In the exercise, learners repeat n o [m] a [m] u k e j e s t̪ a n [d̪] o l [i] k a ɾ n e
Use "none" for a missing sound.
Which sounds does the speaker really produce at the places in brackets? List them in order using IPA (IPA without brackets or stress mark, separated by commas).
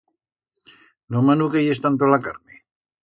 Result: m, n, t̪, a